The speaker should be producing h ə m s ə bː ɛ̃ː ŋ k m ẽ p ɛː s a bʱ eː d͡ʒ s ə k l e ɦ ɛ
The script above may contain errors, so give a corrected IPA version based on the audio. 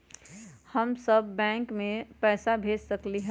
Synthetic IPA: h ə m s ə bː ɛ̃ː ŋ k m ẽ p ɛː s a bʱ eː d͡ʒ s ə k l i ɦ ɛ

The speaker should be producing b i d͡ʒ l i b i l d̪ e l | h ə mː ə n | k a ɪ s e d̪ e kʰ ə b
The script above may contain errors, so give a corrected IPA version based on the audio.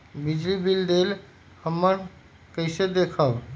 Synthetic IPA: b i d͡ʒ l i b i l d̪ e l | h ə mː ə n | k ə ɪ s e d̪ e kʰ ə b

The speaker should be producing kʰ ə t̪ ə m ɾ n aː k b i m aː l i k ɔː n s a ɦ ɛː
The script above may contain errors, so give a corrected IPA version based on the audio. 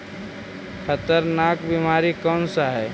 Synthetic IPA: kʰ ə t̪ ə ɾ n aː k b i m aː ɾ i k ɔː n s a ɦ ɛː

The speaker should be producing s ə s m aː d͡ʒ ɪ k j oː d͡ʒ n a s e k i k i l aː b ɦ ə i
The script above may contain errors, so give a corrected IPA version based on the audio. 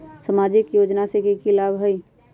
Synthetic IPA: s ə m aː d͡ʒ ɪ k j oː d͡ʒ n a s e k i k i l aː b ɦ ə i

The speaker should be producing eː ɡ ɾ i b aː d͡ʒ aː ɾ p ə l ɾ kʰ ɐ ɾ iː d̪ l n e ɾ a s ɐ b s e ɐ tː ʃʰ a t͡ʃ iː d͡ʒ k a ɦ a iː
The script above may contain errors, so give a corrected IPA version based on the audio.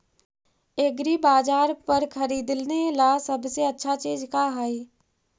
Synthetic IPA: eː ɡ ɾ i b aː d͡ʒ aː ɾ p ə ɾ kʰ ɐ ɾ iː d̪ l n e l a s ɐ b s e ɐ tː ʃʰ a t͡ʃ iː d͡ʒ k a ɦ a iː

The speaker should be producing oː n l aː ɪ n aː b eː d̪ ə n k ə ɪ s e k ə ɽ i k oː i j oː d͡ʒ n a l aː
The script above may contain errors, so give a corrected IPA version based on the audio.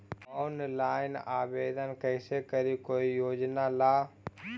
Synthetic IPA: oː n l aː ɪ n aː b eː d̪ ə n k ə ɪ s e k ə ɾ i k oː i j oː d͡ʒ n a l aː

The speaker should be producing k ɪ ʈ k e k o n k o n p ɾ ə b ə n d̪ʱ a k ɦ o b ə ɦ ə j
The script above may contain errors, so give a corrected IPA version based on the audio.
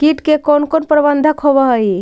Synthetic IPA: k i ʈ k e k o n k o n p ɾ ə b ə n d̪ʱ ə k ɦ o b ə ɦ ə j

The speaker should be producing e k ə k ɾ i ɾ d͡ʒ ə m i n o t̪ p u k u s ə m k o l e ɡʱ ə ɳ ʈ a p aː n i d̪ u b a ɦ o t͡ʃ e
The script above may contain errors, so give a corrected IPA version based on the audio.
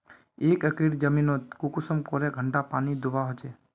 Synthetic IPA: e k ə k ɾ i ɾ d͡ʒ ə m i n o t̪ k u k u s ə m k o ɾ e ɡʱ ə ɳ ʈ a p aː n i d̪ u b a ɦ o t͡ʃ e

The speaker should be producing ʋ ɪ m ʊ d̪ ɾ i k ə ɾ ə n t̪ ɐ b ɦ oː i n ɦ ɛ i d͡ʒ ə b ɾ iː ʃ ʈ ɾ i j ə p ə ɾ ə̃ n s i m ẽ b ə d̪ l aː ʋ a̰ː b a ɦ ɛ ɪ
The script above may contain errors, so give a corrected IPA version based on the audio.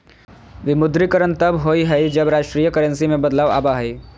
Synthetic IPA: ʋ ɪ m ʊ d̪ ɾ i k ə ɾ ə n t̪ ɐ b ɦ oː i ɦ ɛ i d͡ʒ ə b ɾ aː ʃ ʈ ɾ i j ə k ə ɾ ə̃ n s i m ẽ b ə d̪ l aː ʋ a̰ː b a ɦ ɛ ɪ

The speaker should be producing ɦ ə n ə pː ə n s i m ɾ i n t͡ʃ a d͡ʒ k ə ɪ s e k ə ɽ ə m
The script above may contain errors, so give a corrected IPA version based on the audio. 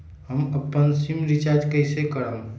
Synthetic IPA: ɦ ə m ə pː ə n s i m ɾ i t͡ʃ a d͡ʒ k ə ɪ s e k ə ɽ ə m

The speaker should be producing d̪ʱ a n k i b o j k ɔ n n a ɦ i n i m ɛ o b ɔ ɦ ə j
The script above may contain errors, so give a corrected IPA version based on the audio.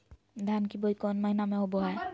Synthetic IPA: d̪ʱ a n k i b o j k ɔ n m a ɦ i n a m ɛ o b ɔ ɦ a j

